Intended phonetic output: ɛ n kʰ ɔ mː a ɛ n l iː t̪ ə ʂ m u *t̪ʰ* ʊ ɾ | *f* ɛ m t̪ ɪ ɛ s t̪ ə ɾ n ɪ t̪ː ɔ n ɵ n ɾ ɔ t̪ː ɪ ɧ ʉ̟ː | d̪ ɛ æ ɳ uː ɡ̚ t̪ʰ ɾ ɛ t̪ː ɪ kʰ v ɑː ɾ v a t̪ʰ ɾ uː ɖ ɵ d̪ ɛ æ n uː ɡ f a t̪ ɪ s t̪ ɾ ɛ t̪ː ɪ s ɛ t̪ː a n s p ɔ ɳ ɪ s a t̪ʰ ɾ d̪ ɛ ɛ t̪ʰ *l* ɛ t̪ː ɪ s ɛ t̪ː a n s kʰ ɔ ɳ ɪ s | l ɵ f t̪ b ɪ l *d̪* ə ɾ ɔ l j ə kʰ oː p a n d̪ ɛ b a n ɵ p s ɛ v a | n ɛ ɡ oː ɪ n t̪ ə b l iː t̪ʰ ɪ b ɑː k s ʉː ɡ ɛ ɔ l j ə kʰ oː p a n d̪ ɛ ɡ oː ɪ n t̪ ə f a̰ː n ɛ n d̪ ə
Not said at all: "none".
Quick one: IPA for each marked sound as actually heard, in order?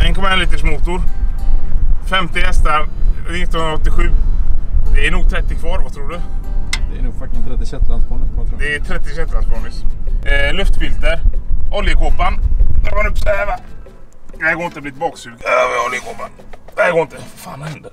t̪, f, ɾ, t̪

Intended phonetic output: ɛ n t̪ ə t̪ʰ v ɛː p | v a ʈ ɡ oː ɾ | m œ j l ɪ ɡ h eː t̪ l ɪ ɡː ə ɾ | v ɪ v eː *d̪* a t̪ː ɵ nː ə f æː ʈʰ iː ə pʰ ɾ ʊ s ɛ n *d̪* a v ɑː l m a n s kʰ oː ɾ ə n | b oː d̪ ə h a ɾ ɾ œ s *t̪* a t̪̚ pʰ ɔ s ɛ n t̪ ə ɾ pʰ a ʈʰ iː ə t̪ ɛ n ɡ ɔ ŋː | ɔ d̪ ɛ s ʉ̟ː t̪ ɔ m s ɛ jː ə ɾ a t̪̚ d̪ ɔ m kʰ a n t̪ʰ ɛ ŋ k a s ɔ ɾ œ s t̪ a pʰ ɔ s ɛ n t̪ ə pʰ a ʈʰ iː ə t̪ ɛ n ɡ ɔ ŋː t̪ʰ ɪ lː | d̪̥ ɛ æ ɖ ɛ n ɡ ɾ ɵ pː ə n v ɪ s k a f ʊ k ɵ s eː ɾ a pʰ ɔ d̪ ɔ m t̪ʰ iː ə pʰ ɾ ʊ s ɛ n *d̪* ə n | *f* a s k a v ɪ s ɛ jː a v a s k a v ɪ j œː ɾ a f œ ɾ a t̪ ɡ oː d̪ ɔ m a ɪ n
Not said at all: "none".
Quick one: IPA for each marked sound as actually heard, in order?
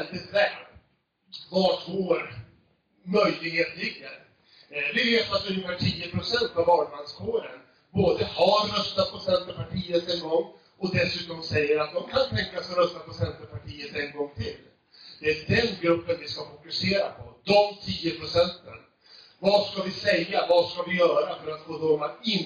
t̪, t̪, t̪, t̪, v

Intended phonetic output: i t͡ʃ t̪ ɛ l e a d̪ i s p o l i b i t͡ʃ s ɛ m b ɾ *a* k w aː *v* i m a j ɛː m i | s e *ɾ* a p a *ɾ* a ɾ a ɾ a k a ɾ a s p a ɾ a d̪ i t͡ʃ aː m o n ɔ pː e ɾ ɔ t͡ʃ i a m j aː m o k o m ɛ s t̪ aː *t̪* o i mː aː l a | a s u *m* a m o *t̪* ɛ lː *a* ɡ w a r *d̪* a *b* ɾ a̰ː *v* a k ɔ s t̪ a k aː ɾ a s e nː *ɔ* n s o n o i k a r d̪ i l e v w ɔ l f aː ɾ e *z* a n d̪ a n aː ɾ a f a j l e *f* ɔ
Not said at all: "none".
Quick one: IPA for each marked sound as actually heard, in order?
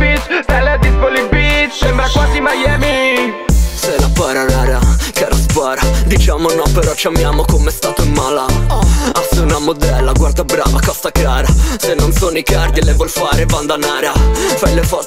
a, z, l, ɾ, t̪, n, d̪, a, d̪, b, v, o, v, f

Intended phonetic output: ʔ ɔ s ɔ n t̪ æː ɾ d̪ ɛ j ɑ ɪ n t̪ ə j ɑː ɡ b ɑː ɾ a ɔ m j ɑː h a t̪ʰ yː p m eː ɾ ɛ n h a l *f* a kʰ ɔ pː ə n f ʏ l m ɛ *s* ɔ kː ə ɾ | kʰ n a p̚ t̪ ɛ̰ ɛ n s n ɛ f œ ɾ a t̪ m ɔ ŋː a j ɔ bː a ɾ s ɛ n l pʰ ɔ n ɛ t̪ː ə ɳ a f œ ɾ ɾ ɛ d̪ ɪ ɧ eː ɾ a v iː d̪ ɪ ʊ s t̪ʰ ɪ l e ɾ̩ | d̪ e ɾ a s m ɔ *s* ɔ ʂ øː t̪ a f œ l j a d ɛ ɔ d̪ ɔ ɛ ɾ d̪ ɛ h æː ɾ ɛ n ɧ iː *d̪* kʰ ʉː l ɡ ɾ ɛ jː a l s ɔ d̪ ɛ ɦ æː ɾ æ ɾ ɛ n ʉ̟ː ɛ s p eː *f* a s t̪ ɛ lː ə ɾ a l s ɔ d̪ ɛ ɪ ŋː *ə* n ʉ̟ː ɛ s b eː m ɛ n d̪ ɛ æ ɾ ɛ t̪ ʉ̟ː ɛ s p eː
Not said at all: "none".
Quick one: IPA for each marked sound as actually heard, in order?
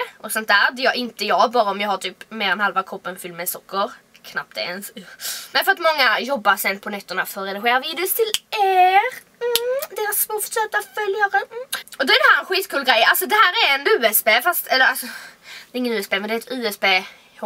v, s, f, t̪, f, ə

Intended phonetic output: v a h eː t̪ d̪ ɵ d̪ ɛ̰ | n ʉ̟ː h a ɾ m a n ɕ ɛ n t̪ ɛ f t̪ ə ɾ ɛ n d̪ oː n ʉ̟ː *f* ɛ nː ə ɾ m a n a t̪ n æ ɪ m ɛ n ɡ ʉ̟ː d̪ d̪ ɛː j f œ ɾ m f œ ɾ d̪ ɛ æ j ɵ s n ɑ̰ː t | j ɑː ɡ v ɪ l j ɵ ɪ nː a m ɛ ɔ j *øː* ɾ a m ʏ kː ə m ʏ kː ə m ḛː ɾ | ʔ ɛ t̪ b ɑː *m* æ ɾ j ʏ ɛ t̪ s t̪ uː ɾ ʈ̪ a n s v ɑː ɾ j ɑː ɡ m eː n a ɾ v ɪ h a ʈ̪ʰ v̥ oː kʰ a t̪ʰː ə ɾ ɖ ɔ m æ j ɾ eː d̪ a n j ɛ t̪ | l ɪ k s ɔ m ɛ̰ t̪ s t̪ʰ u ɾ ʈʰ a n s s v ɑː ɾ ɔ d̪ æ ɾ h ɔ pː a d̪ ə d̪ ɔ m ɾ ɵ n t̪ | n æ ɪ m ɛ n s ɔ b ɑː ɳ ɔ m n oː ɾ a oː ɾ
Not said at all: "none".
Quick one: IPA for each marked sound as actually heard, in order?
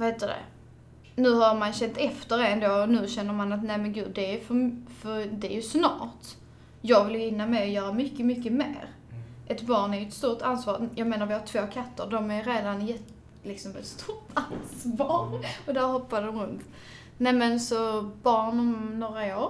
ɕ, œː, ɳ

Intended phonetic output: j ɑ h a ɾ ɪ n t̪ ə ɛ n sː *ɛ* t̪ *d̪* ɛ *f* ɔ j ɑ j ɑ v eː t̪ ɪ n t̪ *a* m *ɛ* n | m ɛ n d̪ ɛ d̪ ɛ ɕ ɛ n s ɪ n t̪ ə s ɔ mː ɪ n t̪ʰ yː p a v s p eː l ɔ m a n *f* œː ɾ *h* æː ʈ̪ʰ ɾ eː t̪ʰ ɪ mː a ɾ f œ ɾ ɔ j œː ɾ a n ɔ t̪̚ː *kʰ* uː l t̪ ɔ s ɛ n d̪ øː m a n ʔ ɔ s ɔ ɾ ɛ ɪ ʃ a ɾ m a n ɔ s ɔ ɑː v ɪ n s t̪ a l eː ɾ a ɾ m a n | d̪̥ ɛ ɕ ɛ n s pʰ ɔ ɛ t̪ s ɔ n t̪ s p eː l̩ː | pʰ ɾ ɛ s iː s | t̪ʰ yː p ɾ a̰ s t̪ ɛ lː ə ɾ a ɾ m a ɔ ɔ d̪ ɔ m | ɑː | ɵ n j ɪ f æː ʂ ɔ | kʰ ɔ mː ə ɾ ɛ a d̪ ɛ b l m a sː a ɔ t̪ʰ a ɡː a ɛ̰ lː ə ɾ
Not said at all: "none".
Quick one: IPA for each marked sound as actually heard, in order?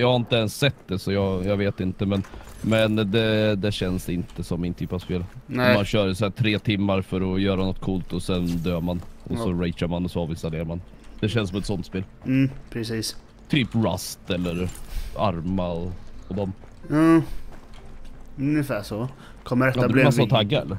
ɛ, d̪, s, ə, ɛ, ɕ, s, kʰ

